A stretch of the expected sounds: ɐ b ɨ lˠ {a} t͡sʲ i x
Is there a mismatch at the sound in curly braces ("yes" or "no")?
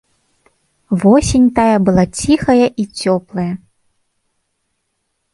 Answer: no